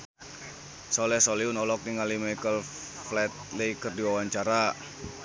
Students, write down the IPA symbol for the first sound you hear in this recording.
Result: s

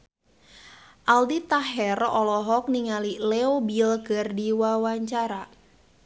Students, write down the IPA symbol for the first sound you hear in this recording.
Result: ʔ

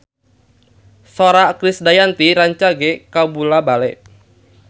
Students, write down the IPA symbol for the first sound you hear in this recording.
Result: s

